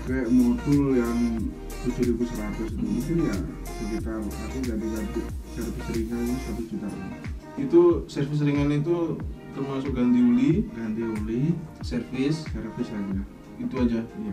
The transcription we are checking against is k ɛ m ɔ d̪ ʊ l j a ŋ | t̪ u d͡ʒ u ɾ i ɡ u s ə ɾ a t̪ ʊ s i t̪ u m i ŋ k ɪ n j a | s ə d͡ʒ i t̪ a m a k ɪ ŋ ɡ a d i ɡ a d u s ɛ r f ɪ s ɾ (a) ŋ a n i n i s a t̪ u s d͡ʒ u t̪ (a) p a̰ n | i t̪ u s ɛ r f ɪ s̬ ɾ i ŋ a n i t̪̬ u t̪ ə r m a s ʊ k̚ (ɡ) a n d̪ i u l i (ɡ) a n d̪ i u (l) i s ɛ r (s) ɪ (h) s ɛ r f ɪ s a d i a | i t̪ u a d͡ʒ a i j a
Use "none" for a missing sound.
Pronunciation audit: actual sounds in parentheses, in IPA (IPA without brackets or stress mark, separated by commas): i, a, ɡ, ɡ, l, f, s